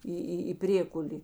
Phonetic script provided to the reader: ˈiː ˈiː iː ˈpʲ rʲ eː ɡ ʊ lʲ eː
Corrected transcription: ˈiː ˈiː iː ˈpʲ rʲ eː k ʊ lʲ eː